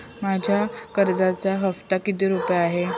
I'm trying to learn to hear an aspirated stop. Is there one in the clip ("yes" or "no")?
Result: no